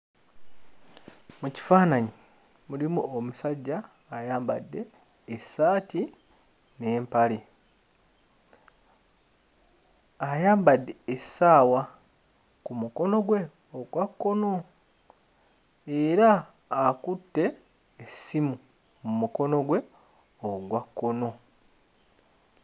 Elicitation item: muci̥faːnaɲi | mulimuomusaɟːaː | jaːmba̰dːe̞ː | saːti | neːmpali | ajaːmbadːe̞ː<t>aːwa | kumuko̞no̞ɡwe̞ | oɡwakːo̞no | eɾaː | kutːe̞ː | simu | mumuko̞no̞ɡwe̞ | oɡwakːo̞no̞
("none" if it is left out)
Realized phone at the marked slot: s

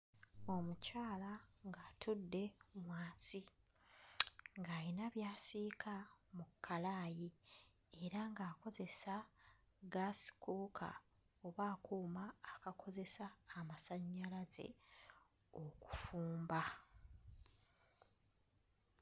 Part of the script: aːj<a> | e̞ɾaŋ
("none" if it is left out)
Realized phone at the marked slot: i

